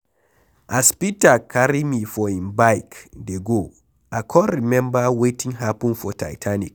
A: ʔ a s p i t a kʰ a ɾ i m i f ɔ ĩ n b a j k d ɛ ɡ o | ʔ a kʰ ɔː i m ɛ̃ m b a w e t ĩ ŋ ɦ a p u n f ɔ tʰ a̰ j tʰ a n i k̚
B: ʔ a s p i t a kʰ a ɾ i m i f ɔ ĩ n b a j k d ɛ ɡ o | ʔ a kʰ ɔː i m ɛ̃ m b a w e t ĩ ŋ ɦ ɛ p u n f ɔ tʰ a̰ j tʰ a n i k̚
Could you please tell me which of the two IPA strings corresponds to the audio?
A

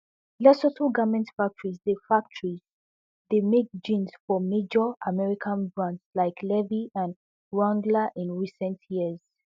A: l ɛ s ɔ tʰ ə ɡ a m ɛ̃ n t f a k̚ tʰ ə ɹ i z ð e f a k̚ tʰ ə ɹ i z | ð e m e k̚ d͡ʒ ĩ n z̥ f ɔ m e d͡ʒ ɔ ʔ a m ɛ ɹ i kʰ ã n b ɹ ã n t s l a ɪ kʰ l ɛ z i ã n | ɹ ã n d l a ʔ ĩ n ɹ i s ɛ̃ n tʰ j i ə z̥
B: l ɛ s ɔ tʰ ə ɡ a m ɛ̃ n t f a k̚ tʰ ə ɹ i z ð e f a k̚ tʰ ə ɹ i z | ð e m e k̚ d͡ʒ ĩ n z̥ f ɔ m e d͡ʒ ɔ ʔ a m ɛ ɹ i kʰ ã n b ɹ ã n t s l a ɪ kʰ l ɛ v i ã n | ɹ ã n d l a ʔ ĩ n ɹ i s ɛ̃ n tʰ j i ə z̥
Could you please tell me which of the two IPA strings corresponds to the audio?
B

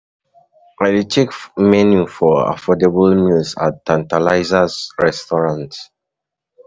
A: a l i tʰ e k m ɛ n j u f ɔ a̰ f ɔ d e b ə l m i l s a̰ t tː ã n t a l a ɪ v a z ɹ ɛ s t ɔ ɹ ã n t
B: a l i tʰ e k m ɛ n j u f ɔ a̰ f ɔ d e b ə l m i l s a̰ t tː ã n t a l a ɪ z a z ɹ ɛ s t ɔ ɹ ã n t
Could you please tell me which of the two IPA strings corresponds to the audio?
B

